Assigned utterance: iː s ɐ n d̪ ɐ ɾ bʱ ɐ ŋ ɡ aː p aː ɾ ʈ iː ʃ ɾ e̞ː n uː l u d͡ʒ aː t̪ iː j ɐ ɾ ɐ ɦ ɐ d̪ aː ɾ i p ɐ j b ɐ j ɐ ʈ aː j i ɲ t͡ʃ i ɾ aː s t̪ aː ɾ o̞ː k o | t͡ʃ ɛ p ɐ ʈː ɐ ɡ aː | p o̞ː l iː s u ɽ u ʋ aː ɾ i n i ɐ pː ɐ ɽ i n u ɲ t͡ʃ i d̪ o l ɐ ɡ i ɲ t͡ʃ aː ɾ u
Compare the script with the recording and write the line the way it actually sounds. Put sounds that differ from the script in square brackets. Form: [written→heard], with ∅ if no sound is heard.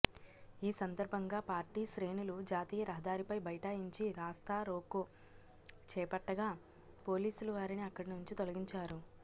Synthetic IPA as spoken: iː s ɐ n d̪ ɐ ɾ bʱ ɐ ŋ ɡ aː p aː ɾ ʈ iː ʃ ɾ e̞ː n [uː→u] l u d͡ʒ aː t̪ iː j ɐ ɾ ɐ ɦ ɐ d̪ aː ɾ i p ɐ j b ɐ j ɐ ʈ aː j i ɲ t͡ʃ i ɾ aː s t̪ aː ɾ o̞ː k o | t͡ʃ [ɛ→ɛː] p ɐ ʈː ɐ ɡ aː | p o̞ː l iː s u [ɽ→l] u ʋ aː ɾ i n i ɐ [pː→kː] ɐ ɽ i n u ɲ t͡ʃ i [d̪→t̪] o l ɐ ɡ i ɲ t͡ʃ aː ɾ u